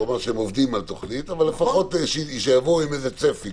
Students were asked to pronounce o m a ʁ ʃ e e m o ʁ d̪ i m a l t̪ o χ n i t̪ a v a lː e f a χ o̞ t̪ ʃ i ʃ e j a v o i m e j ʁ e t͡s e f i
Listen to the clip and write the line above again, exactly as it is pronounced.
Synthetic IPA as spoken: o m a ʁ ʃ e e m o v d̪ i m a l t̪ o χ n i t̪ a v a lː e f a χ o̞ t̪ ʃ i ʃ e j a v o i m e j z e t͡s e f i